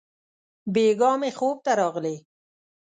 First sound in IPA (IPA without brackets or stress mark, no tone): b